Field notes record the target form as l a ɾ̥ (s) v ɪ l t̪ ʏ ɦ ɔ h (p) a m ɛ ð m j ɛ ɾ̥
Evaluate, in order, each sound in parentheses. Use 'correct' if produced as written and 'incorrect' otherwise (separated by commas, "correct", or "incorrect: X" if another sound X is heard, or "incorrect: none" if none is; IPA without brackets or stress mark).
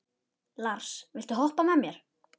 correct, correct